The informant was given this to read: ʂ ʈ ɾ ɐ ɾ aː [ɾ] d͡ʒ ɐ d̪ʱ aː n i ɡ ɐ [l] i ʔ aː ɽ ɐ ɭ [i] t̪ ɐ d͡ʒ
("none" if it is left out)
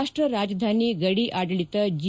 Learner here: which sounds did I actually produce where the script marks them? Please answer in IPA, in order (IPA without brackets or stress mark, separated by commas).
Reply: none, ɽ, i